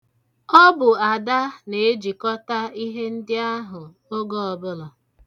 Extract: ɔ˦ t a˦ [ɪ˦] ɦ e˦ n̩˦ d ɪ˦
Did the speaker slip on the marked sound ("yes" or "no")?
yes